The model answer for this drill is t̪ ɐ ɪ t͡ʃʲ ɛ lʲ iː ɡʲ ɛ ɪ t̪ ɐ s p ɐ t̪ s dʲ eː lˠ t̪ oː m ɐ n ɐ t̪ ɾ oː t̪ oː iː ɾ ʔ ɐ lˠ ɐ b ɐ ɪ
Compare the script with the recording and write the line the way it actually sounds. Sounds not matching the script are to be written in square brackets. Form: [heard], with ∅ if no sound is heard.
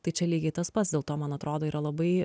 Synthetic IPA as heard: t̪ ɐ ɪ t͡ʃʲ ɛ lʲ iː ɡʲ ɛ ɪ t̪ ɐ s p ɐ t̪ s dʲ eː lˠ t̪ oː m ɐ n ɐ t̪ ɾ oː [d̪] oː iː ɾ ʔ ɐ lˠ ɐ b ɐ ɪ